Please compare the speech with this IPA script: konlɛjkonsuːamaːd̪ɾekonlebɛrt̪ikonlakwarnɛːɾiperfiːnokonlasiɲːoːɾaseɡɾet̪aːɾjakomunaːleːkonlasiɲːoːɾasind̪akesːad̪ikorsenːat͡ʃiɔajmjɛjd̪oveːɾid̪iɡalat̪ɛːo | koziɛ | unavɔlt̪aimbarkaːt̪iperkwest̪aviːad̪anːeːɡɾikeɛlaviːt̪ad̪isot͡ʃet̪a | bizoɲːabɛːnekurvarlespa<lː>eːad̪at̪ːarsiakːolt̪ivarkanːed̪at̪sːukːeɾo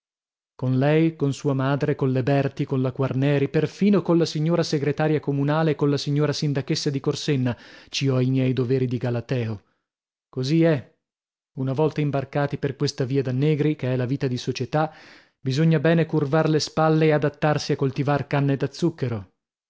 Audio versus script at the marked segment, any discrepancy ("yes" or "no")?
no